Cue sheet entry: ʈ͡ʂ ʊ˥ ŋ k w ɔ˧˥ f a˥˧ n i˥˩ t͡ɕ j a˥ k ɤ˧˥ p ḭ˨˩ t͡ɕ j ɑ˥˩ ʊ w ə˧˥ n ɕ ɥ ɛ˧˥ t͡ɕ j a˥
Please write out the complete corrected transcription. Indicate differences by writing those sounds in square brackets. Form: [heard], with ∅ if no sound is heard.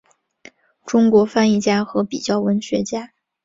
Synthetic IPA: ʈ͡ʂ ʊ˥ ŋ k w ɔ˧˥ f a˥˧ n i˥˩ t͡ɕ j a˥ [x] ɤ˧˥ p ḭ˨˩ t͡ɕ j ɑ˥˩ ʊ w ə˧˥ n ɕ ɥ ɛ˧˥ t͡ɕ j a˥